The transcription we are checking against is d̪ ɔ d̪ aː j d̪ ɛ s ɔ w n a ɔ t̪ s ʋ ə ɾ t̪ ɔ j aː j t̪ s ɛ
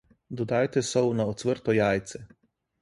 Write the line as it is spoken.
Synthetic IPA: d̪ ɔ d̪ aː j t̪ ɛ s ɔ w n a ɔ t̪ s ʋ ə ɾ t̪ ɔ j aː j t̪ s ɛ